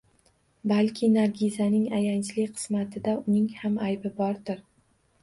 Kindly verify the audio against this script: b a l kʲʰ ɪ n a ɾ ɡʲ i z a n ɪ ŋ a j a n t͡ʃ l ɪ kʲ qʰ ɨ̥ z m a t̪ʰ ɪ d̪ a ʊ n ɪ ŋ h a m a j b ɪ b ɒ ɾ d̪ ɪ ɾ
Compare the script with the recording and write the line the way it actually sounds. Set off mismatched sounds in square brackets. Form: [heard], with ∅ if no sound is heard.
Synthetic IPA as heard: b a l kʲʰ ɪ n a ɾ ɡʲ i z a n ɪ ŋ a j a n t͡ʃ l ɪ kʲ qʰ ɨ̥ [s] m a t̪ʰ ɪ d̪ a ʊ n ɪ ŋ h a m a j b ɪ b ɒ ɾ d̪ ɪ ɾ